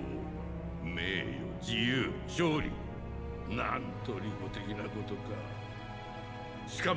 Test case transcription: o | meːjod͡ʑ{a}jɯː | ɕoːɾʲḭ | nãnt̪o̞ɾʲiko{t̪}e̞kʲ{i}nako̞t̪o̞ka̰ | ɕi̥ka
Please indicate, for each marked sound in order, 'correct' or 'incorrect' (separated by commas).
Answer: incorrect, correct, correct